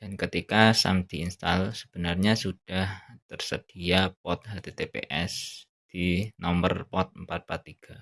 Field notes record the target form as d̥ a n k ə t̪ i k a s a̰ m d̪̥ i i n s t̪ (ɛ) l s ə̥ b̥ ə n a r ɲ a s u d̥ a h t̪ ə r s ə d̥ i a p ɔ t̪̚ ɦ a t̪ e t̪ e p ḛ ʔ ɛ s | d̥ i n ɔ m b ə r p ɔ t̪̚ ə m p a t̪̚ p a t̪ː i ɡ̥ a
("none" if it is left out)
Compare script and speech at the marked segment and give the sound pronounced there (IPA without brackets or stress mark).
a